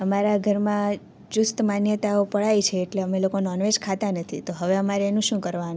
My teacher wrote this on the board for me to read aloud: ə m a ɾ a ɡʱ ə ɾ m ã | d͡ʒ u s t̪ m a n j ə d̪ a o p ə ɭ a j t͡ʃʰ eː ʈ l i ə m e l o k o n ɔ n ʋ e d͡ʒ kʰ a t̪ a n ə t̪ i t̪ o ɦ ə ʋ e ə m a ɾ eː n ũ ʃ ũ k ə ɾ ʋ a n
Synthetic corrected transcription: ə m a ɾ a ɡʱ ə ɾ m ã | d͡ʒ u s t̪ m a n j ə t̪ a o p ə ɭ a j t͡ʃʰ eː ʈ l e ə m e l o k o n ɔ n ʋ e d͡ʒ kʰ a t̪ a n ə t̪ʰ i t̪ o ɦ ə ʋ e ə m a ɾ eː n ũ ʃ ũ k ə ɾ ʋ a n